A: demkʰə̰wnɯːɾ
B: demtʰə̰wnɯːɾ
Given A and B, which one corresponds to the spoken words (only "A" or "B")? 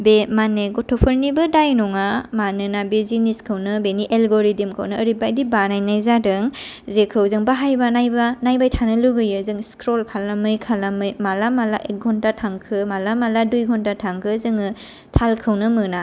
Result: A